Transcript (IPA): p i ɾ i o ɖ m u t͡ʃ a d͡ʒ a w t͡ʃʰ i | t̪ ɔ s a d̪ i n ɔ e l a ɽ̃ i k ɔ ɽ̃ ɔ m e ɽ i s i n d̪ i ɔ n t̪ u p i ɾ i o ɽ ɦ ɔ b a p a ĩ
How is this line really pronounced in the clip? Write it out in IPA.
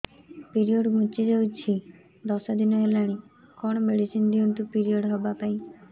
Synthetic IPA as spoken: p i ɾ i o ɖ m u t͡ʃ i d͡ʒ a w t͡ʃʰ i | d̪ ɔ s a d̪ i n ɔ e l a ɽ̃ i k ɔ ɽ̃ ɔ m e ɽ i s i n d̪ i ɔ n t̪ u p i ɾ i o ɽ ɦ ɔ b a p a ĩ